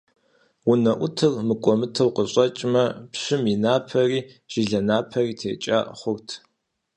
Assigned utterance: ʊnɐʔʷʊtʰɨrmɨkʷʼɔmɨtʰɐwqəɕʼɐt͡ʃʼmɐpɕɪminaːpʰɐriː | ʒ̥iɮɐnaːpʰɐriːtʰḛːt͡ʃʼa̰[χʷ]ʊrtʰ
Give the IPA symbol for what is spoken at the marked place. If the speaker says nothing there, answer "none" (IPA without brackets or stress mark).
χʷ